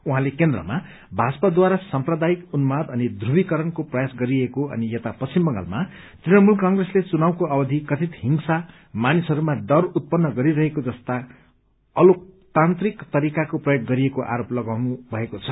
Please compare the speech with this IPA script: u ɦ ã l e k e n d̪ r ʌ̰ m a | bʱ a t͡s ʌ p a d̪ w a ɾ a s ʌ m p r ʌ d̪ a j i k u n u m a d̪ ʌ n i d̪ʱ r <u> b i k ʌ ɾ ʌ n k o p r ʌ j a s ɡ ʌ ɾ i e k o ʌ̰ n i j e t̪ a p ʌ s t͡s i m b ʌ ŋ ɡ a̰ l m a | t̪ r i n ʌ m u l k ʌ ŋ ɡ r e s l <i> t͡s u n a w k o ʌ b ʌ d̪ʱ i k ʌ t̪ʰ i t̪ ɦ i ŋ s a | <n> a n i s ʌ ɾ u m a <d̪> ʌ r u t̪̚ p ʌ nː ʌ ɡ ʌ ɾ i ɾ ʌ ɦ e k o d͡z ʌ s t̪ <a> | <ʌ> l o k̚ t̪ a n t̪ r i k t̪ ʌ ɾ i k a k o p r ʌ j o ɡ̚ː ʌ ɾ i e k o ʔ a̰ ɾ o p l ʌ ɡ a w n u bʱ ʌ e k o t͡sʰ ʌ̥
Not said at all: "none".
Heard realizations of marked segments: u, e, m, d̪, a, ʌ

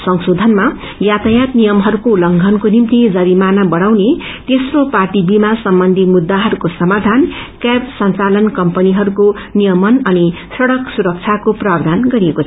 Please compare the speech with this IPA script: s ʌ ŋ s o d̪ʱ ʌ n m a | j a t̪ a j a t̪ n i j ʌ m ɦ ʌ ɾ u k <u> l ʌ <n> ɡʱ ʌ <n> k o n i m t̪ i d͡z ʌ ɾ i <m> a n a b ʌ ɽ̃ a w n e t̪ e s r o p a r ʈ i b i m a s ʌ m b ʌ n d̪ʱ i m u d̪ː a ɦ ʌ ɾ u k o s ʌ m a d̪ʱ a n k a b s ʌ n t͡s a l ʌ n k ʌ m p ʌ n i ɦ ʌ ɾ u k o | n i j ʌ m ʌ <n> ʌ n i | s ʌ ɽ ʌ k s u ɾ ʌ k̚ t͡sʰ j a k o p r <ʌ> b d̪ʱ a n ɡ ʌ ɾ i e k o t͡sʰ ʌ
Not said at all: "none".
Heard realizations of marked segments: o, ŋ, n, m, n, a

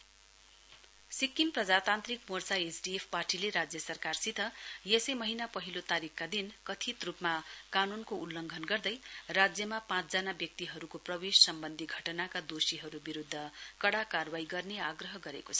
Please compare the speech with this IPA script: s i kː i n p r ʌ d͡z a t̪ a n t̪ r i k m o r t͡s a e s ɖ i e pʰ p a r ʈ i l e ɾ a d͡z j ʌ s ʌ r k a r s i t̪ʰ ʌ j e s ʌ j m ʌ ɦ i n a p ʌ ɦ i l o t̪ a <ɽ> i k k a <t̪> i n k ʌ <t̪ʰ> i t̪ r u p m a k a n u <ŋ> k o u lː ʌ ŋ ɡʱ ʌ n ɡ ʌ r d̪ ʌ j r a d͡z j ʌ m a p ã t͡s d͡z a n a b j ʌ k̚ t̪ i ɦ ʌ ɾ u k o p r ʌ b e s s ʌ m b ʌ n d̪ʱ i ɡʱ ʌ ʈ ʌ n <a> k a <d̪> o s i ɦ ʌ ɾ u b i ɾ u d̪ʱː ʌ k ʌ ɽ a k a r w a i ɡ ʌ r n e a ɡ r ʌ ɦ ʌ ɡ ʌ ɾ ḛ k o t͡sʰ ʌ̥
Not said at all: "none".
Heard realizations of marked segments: ɾ, d̪, t̪ʰ, n, a, d̪

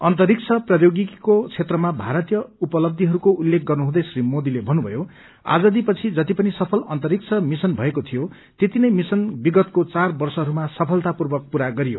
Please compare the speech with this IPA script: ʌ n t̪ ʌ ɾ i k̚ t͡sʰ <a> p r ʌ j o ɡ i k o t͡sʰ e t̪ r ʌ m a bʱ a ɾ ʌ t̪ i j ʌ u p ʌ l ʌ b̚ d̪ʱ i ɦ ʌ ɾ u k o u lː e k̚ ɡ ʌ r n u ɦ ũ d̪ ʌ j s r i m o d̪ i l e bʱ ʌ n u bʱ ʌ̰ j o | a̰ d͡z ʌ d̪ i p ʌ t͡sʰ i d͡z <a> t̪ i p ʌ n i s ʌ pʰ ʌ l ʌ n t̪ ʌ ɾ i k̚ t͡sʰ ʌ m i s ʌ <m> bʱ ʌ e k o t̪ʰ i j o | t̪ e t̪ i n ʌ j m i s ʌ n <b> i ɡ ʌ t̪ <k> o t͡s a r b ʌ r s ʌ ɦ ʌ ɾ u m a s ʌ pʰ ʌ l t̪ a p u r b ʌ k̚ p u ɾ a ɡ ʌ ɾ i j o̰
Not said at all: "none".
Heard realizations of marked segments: ʌ, ʌ, n, b, k

